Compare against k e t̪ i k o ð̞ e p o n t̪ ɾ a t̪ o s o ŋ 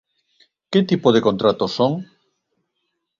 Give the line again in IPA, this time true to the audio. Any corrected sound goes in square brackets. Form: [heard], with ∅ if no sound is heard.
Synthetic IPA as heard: k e t̪ i [p] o ð̞ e [k] o n t̪ ɾ a t̪ o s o ŋ